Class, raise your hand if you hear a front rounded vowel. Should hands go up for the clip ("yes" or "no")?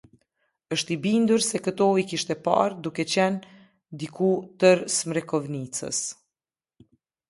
no